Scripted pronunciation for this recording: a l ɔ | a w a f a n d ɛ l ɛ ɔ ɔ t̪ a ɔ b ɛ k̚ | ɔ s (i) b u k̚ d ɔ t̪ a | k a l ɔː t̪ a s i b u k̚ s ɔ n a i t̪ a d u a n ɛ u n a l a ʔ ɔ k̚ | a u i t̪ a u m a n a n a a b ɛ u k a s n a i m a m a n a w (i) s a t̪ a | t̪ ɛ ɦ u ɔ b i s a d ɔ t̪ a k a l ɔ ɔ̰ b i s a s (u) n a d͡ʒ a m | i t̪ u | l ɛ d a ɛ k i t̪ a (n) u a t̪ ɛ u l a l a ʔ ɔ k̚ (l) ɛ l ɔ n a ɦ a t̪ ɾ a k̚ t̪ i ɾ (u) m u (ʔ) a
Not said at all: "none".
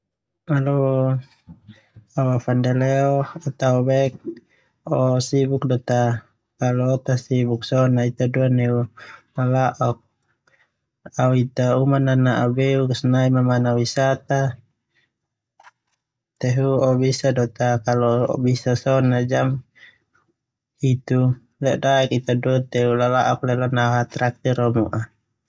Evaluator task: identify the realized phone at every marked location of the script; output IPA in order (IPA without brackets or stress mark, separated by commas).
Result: i, i, ɔ, d, l, ɔ, ʔ